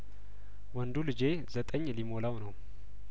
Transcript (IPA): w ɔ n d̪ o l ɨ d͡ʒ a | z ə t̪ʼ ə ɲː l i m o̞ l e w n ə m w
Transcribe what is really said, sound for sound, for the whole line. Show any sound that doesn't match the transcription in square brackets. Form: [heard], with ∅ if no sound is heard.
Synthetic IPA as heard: w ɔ n d̪ [u] l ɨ d͡ʒ [e] | z ə t̪ʼ ə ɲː l i m o̞ l [a] w n ə [∅] w